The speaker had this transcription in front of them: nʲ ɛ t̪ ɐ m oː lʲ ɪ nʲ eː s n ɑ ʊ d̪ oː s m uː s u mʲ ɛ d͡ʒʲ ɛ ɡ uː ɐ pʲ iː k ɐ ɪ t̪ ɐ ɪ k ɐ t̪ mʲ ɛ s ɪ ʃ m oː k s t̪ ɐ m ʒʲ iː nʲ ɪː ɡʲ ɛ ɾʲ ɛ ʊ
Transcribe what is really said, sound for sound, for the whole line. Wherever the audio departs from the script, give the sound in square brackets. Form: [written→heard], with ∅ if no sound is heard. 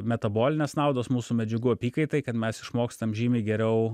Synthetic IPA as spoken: [nʲ→mʲ] ɛ t̪ ɐ [m→b] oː lʲ ɪ nʲ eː s n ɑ ʊ d̪ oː s m uː s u mʲ ɛ d͡ʒʲ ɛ ɡ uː ɐ pʲ iː k ɐ ɪ t̪ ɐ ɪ k ɐ t̪ mʲ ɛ s ɪ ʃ m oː k s t̪ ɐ m ʒʲ iː [nʲ→mʲ] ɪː ɡʲ ɛ ɾʲ ɛ ʊ

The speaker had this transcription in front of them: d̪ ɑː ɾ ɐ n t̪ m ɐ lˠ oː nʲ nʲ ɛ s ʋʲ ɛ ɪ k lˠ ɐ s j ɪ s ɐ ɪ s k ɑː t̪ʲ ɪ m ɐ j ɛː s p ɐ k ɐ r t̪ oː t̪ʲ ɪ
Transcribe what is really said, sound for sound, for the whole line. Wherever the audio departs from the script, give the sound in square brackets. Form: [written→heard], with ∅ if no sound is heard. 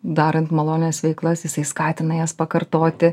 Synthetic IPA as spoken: d̪ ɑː ɾ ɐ n t̪ m ɐ lˠ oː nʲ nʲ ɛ s ʋʲ ɛ ɪ k lˠ ɐ s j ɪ s ɐ ɪ s k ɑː t̪ʲ ɪ [m→n] ɐ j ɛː s p ɐ k ɐ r t̪ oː t̪ʲ ɪ

